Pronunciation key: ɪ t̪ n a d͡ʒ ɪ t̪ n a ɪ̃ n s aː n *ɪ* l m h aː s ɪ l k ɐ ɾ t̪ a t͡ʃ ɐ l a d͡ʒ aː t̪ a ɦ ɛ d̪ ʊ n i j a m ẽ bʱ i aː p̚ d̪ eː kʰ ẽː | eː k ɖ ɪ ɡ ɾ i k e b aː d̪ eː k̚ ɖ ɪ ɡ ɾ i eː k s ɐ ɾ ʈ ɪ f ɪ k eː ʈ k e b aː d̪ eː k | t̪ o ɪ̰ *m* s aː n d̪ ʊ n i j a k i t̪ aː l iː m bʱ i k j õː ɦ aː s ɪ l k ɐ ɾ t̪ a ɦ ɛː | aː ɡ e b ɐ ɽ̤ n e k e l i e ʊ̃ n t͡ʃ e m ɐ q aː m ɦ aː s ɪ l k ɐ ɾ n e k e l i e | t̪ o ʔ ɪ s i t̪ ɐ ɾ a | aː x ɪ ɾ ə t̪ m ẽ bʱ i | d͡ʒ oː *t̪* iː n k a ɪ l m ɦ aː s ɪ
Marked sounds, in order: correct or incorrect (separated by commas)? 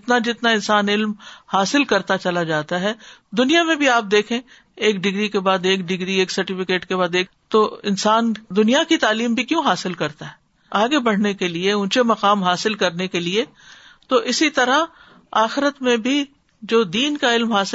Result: correct, incorrect, incorrect